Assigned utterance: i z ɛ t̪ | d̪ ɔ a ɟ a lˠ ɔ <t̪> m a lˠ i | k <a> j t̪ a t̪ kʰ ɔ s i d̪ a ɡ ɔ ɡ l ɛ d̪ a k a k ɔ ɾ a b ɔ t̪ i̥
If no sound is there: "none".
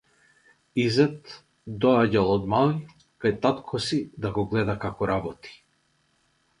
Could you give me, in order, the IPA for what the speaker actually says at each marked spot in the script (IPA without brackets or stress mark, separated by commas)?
d̪, a